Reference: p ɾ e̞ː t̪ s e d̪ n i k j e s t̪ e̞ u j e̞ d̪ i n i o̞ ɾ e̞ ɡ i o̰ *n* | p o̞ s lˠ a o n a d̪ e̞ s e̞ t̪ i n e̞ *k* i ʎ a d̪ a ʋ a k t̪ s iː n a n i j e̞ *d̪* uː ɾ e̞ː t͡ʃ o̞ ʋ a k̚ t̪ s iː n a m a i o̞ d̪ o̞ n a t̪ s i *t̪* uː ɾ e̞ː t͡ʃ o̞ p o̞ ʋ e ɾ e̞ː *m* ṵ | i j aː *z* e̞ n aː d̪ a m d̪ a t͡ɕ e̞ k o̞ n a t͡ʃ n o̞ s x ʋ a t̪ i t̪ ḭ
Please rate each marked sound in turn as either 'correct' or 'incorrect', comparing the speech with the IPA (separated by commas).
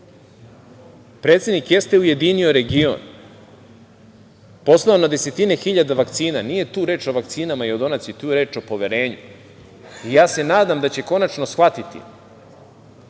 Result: correct, incorrect, incorrect, correct, incorrect, incorrect